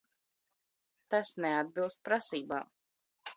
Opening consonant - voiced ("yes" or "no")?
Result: no